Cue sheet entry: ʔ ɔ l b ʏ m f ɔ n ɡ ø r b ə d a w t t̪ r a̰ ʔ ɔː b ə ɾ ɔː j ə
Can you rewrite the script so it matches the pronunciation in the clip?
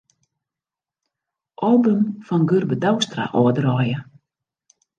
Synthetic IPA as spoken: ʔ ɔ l b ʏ m f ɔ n ɡ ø r b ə d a w s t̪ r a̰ ʔ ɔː d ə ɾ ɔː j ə